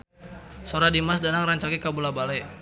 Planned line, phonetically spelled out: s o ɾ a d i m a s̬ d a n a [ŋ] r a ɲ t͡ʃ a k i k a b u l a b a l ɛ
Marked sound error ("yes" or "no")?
no